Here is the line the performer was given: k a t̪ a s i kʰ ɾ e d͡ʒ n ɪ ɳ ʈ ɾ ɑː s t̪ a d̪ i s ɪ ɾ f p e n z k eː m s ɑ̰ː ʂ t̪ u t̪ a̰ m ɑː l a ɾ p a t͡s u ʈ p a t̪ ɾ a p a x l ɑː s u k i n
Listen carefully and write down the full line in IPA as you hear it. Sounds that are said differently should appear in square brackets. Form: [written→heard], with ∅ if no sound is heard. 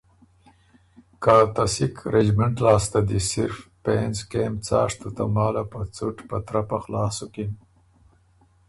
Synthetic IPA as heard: k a t̪ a s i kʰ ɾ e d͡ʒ [n→m] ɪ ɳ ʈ [ɾ→l] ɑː s t̪ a d̪ i s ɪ ɾ f p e n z k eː m [s→t͡s] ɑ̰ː ʂ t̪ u t̪ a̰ m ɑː l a [ɾ→∅] p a t͡s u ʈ p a t̪ ɾ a p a x l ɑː s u k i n